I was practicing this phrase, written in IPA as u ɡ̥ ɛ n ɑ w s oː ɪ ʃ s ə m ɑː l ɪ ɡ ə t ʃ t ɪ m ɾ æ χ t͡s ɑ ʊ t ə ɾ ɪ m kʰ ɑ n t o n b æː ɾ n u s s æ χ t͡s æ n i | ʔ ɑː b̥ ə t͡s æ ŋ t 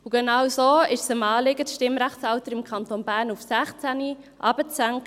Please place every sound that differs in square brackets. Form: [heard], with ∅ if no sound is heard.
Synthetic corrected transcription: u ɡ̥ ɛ n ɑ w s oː ɪ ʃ s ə m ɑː l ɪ ɡ ə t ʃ t ɪ m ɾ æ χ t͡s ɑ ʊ t ə ɾ ɪ m kʰ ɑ n t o n b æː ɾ n u [f] s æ χ t͡s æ n i | ʔ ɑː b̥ ə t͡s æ ŋ [k]